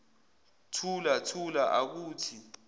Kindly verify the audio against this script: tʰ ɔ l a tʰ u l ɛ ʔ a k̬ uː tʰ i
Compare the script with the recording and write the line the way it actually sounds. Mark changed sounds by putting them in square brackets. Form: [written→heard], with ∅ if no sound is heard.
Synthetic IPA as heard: tʰ [ɔ→u] l a tʰ u l [ɛ→a] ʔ a k̬ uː tʰ i